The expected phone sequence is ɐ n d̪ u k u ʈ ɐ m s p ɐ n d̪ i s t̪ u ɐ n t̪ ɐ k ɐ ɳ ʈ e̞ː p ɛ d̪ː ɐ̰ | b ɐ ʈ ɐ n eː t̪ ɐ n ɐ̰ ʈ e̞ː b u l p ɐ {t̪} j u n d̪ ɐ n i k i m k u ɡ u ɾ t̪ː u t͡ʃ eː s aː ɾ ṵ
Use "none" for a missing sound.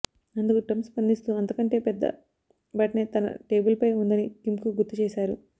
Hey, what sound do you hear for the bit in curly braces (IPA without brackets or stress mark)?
none